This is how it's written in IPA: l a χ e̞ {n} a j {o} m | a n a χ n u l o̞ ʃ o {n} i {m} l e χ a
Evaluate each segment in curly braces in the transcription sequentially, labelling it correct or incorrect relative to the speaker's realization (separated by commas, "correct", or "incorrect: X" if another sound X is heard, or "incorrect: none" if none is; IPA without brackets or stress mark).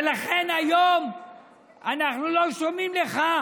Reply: correct, correct, incorrect: m, correct